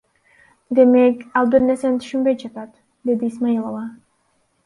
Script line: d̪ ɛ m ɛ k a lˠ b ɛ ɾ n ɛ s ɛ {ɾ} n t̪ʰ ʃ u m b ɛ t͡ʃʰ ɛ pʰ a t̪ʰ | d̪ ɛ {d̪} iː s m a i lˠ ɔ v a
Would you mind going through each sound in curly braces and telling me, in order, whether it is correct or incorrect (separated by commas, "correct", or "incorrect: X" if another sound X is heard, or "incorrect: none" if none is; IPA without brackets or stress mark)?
incorrect: none, correct